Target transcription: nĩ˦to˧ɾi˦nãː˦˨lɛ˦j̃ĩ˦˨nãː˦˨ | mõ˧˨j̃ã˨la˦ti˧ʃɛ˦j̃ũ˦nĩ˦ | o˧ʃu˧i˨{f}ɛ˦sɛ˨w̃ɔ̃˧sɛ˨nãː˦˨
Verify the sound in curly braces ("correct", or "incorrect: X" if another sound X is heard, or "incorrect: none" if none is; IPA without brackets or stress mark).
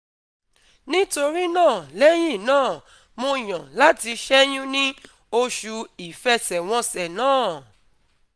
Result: correct